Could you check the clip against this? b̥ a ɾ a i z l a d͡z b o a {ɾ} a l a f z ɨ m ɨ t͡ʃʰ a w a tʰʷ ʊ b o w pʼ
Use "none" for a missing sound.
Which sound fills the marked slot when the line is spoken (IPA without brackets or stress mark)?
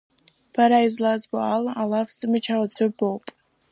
l